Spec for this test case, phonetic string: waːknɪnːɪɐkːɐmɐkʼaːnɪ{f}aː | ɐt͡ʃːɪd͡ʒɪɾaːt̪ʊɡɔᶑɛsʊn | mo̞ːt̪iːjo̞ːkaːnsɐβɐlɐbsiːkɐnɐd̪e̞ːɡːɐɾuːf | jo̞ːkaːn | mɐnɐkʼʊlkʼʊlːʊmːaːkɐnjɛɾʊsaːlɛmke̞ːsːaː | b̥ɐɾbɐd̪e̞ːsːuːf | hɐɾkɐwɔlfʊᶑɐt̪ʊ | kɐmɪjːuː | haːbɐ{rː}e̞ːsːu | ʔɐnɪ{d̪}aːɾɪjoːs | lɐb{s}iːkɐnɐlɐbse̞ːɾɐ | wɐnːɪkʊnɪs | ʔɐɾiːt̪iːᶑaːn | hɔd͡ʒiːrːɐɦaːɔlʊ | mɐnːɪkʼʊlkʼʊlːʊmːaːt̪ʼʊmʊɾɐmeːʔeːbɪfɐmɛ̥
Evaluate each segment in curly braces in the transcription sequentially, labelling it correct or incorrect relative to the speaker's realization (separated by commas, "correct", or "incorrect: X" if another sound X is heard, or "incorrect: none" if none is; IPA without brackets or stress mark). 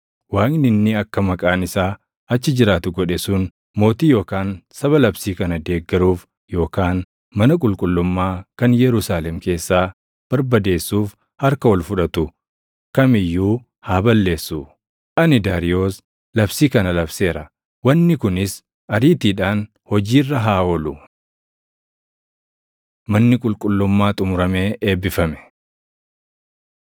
incorrect: s, incorrect: lː, correct, correct